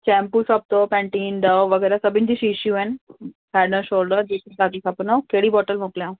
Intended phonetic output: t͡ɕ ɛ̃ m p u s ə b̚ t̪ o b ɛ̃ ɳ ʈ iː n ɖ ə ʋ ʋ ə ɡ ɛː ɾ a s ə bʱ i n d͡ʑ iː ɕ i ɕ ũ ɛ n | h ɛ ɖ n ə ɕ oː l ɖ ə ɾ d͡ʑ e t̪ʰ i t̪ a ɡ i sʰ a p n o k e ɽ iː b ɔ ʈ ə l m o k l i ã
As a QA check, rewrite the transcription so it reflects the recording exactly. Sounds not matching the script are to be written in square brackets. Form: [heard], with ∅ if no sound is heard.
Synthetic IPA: t͡ɕ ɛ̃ m p u s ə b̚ t̪ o [p] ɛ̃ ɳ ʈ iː n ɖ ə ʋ ʋ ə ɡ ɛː ɾ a s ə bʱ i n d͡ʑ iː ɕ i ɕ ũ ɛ n | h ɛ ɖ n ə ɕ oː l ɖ ə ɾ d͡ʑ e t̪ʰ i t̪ a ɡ i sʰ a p n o k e ɽ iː b ɔ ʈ ə l m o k l [j] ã